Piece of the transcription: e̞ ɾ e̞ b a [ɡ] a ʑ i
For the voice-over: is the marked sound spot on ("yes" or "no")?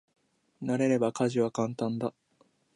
no